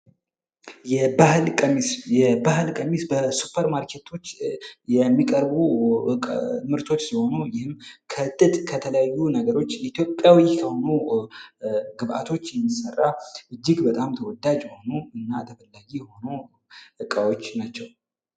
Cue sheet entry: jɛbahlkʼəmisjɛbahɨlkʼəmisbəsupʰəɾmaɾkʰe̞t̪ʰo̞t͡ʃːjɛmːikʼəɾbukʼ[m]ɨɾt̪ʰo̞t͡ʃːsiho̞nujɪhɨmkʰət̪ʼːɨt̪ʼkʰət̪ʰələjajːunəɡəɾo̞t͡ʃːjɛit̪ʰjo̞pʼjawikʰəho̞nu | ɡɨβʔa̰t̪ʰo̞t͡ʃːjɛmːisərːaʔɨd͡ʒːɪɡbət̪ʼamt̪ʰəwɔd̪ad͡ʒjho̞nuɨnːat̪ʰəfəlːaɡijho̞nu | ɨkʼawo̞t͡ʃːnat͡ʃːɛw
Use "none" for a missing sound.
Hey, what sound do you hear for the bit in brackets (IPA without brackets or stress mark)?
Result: m